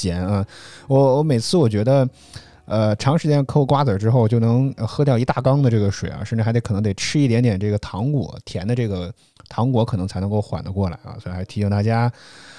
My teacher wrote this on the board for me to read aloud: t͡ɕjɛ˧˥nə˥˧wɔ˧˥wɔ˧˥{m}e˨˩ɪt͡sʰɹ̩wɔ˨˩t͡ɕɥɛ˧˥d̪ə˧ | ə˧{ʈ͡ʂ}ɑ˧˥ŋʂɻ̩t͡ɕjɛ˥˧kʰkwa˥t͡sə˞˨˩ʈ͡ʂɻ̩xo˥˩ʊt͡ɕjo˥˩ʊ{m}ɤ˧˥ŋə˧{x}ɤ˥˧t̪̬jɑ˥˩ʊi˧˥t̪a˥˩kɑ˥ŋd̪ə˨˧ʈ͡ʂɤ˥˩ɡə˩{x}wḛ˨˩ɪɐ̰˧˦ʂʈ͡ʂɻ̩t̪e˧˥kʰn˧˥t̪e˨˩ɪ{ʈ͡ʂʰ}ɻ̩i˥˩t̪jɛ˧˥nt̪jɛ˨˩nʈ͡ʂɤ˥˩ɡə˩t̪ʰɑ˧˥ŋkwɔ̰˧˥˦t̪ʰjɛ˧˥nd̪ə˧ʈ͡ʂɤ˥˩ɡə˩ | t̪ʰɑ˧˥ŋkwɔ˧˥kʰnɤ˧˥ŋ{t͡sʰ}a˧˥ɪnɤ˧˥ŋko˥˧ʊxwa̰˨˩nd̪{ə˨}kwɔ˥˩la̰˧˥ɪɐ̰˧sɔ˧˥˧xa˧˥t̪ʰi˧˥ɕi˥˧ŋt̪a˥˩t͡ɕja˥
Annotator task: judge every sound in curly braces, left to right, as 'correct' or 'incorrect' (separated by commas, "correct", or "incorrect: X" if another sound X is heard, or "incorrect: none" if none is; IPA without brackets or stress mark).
correct, incorrect: ʈ͡ʂʰ, incorrect: n, correct, incorrect: ʂ, correct, correct, incorrect: ə˦